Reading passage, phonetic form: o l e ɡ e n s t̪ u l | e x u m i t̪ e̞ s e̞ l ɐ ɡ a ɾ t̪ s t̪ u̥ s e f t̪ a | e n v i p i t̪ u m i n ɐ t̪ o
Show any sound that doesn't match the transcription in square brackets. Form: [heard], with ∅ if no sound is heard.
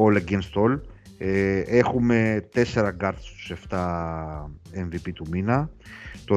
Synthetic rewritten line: o l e ɡ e n s t̪ [o] l | e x u m [e] t̪ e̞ s e̞ [ɾ] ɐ ɡ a ɾ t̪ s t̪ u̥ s e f t̪ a | e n v i p i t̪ u m i n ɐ t̪ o